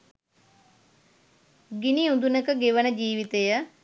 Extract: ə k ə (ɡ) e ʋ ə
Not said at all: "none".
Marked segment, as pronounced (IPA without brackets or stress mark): ɡ